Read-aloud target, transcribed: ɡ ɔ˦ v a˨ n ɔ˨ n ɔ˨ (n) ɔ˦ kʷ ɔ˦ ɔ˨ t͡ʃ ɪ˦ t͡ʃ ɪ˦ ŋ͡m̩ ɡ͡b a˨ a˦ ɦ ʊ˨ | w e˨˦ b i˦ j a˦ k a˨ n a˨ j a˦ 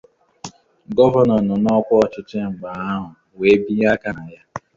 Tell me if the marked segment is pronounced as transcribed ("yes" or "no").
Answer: yes